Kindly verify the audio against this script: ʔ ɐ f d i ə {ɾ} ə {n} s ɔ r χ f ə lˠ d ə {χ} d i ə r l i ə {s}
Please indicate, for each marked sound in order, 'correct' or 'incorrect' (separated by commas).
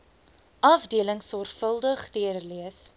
incorrect, incorrect, correct, correct